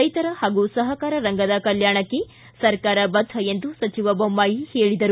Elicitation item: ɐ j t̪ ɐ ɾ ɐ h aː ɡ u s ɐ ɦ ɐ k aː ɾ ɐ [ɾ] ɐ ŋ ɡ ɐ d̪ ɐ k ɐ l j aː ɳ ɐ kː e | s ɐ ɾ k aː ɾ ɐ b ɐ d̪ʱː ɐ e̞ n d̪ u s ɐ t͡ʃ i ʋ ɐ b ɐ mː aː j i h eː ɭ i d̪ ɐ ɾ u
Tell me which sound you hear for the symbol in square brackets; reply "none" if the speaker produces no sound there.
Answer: ɾ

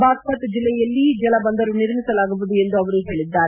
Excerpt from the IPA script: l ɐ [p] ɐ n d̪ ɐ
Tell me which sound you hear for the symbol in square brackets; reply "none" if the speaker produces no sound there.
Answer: b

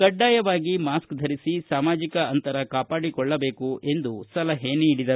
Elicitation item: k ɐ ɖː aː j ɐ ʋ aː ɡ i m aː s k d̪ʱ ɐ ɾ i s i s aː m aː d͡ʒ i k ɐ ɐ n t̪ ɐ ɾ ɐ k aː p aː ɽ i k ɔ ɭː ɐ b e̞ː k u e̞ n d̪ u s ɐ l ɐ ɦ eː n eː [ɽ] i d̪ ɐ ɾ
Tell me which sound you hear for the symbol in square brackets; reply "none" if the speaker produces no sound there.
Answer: ɽ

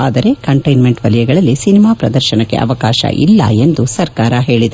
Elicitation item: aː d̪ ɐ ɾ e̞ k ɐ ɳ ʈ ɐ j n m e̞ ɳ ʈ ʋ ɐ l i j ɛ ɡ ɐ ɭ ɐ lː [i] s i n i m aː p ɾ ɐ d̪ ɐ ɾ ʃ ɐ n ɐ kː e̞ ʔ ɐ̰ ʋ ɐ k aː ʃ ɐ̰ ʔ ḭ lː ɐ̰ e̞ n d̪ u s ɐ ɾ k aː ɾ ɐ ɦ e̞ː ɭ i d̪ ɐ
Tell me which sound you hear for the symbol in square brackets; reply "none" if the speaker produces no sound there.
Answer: i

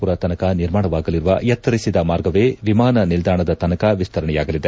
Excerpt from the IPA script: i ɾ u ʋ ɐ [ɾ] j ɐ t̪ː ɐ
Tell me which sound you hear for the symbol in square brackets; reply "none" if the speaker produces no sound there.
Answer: none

